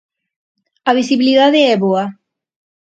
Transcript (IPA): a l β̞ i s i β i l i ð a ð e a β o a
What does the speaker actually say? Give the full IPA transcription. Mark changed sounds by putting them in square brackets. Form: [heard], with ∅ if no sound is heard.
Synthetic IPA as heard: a [∅] β̞ i s i β i l i ð a ð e [ɛ] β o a